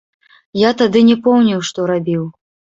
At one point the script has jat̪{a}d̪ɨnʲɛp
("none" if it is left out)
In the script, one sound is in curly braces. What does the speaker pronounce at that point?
a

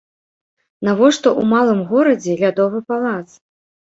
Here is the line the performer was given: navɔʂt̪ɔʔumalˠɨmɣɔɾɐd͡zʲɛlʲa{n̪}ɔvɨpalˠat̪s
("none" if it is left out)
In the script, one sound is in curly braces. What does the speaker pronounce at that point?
d̪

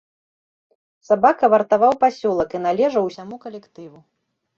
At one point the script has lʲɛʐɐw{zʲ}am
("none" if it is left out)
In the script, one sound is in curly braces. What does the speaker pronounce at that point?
sʲ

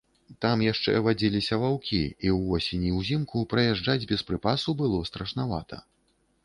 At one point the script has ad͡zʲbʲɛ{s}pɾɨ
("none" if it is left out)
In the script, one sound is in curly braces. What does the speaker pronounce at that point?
s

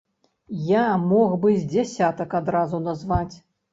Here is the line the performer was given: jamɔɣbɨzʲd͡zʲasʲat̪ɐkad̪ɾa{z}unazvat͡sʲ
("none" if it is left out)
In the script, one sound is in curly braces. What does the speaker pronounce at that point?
z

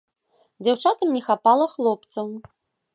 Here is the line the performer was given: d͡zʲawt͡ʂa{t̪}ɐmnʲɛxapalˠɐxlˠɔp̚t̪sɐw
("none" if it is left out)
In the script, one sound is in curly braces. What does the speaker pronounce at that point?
t̪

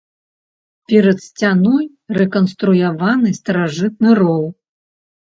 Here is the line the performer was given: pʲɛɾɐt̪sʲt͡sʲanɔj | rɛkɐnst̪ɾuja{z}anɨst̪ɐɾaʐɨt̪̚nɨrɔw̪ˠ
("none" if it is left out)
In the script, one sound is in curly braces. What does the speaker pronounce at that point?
v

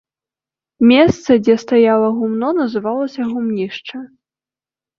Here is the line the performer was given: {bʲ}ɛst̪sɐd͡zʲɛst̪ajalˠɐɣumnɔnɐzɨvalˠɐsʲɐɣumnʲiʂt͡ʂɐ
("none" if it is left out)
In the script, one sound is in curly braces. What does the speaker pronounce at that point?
mʲ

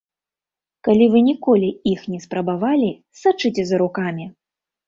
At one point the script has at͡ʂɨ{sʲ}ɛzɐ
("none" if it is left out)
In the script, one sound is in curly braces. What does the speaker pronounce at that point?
t͡sʲ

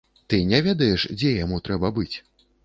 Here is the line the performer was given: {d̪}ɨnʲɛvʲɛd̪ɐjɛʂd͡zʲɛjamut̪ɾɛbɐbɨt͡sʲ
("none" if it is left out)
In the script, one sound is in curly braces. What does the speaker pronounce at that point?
t̪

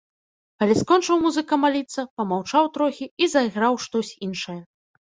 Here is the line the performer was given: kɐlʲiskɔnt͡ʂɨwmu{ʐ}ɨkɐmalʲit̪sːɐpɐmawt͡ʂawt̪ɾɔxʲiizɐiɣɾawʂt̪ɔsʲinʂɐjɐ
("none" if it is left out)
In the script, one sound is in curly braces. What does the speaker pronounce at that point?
z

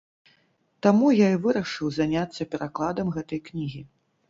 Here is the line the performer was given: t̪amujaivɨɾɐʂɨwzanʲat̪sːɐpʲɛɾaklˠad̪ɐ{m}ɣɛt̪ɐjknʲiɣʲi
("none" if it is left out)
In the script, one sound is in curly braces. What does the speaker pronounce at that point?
m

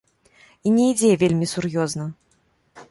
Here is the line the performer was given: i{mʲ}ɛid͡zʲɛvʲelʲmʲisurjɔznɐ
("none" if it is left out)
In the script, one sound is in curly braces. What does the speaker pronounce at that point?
nʲ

